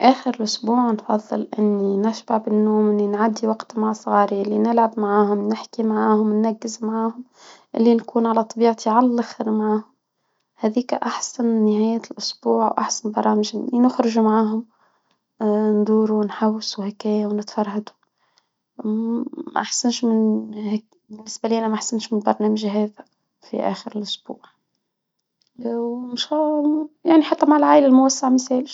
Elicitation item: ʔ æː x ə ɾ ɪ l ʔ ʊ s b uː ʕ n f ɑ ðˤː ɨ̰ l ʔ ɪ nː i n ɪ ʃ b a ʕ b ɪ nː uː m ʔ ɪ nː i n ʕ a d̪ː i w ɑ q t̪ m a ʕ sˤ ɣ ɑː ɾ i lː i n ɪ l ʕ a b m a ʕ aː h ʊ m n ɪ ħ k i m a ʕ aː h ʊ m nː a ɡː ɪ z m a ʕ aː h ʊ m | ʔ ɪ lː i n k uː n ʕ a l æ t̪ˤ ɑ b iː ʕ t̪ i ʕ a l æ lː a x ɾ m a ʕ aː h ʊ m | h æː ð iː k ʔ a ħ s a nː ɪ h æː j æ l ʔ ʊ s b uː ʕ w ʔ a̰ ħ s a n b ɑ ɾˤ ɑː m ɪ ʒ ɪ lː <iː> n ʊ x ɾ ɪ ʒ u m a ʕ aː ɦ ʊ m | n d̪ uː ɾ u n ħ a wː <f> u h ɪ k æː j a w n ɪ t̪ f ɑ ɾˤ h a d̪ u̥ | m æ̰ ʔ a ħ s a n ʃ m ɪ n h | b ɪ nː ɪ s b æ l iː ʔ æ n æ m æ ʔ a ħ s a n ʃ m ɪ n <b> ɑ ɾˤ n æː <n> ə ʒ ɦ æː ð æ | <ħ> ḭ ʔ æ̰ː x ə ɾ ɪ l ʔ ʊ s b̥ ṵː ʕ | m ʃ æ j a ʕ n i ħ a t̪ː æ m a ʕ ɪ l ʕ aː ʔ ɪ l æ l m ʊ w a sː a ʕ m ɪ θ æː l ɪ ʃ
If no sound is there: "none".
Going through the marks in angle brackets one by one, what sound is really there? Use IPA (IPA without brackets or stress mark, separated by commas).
i, s, b, m, f